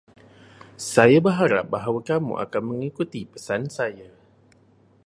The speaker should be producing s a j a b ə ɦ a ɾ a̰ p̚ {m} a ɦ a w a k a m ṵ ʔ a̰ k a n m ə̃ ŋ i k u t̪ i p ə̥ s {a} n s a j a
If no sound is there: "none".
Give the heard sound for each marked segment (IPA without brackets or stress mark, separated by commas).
b, a